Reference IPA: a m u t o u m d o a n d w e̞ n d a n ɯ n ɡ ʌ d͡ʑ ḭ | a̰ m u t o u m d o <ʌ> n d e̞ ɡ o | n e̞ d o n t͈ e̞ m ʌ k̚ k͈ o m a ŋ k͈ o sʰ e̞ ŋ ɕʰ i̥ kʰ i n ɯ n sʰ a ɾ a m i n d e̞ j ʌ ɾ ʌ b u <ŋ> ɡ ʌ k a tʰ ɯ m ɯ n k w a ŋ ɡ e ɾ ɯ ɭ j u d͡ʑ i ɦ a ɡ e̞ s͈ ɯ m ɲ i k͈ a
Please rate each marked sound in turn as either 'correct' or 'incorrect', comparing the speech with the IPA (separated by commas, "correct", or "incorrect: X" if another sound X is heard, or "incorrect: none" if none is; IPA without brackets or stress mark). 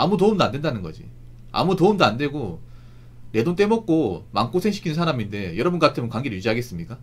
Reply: incorrect: a, incorrect: n